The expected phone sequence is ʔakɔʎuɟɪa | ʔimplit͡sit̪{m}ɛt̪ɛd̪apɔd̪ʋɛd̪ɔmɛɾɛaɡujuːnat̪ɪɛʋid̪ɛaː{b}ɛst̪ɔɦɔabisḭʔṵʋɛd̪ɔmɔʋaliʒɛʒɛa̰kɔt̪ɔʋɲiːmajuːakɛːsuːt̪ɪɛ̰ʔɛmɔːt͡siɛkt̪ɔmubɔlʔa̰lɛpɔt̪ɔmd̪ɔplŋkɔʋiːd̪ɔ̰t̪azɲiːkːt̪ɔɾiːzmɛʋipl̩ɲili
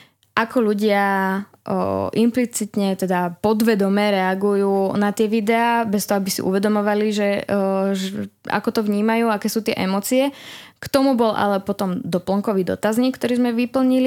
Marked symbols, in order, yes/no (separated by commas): no, yes